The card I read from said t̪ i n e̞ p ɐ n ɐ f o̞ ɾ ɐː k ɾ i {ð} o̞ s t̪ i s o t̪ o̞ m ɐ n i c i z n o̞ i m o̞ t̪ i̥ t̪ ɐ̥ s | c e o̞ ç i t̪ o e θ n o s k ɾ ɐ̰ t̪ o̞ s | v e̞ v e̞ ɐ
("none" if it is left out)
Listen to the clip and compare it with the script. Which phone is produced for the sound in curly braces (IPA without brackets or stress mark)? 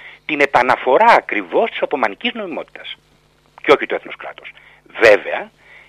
v